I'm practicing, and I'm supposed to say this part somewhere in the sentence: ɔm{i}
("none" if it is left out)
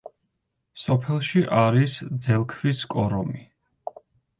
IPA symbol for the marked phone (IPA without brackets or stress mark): i